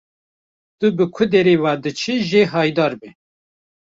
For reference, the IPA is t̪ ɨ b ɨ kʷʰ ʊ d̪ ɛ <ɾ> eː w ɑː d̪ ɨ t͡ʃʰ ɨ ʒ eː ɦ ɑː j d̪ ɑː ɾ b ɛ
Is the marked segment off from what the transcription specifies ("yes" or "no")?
no